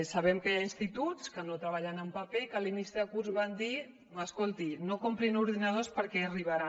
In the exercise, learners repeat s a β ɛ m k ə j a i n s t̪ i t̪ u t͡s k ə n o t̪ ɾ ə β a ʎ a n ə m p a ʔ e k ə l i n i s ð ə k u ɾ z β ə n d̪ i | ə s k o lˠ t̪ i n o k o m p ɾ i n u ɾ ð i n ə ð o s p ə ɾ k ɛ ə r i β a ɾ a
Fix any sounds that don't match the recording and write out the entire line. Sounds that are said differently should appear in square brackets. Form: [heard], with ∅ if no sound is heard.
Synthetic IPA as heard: s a β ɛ m k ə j a i n s t̪ i t̪ u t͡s k ə n o t̪ ɾ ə β a ʎ a n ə m p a [p] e k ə l i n i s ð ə k u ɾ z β [a] n d̪ i | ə s k o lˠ t̪ i n o k o m p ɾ i n u ɾ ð i n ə ð o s p ə ɾ k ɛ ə r i β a ɾ a